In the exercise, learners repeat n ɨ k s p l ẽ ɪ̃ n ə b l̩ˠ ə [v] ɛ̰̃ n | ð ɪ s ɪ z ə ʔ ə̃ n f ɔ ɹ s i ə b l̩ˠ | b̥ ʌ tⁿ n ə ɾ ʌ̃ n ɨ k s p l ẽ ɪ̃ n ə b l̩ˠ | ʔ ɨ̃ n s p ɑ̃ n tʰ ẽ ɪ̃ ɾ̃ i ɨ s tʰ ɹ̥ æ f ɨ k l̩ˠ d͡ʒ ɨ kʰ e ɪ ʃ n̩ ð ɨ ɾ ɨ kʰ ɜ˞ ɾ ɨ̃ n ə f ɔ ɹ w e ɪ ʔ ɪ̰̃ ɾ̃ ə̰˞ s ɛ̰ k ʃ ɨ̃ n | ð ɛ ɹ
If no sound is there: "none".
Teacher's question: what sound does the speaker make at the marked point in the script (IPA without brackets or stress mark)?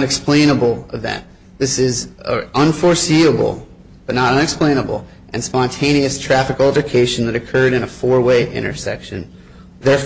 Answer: v